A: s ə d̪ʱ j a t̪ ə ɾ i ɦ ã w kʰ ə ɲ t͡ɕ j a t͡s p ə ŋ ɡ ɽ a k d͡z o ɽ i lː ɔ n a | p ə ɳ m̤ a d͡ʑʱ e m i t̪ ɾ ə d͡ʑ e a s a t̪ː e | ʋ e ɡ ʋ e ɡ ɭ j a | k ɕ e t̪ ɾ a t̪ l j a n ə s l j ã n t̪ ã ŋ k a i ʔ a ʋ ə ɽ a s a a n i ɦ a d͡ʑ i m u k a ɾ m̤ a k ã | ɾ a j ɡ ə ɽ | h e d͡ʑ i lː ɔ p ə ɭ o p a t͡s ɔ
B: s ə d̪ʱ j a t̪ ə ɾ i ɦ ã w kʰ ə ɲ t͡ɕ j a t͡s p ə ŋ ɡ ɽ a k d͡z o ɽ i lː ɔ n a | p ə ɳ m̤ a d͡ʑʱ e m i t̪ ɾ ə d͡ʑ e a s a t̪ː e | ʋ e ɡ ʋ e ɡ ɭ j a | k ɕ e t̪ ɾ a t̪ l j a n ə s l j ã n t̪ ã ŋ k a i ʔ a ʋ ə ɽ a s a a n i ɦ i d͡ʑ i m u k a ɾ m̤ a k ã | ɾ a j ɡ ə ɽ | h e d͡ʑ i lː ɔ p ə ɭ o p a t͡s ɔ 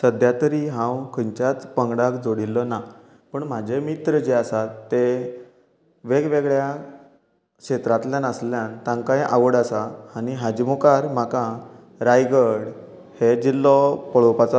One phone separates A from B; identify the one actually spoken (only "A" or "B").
A